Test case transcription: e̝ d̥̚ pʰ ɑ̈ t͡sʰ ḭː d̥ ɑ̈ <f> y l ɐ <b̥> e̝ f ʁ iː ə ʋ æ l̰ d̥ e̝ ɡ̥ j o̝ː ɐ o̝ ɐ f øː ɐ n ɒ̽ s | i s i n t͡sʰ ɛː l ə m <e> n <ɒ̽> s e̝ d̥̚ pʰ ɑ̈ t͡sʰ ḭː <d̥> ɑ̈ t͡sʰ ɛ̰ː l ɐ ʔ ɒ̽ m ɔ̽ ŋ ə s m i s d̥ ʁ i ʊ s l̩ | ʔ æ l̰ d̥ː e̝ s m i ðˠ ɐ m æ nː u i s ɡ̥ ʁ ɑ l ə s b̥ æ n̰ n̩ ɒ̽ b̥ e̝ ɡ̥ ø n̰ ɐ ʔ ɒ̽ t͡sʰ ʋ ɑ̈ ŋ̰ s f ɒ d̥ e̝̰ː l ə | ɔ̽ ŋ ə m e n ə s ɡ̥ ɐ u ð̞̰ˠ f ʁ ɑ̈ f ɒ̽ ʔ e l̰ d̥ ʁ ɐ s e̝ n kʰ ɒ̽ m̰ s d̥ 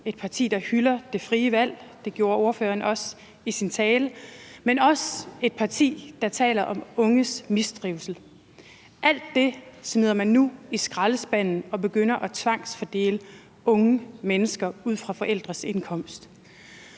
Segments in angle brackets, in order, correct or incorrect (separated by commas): incorrect, incorrect, correct, correct, correct